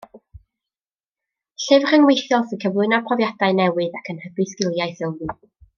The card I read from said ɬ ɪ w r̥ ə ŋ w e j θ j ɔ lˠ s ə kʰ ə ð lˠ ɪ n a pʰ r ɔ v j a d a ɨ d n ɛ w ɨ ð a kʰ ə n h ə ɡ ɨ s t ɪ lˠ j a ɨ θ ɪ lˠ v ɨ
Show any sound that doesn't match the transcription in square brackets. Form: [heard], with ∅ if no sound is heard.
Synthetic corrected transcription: ɬ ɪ [v] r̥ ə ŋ w e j θ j ɔ lˠ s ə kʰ ə [v] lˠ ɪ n a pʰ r ɔ v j a d a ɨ [∅] n ɛ w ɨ ð a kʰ ə n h ə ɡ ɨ s [k] ɪ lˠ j a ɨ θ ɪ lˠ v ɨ